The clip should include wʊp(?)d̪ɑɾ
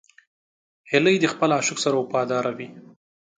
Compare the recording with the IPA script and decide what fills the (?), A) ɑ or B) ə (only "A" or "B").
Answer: A